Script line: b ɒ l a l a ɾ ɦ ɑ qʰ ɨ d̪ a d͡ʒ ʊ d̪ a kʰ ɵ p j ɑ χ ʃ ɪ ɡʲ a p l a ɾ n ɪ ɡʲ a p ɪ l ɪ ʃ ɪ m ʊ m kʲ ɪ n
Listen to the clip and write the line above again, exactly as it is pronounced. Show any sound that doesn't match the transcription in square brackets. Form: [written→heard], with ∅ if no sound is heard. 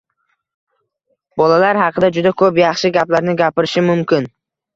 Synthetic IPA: b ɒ l a l a ɾ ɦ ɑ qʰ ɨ d̪ a d͡ʒ ʊ d̪ a kʰ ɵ p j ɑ χ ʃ ɪ ɡʲ a p l a ɾ n ɪ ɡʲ a p ɪ [l→ɾ] ɪ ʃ ɪ m ʊ m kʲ ɪ n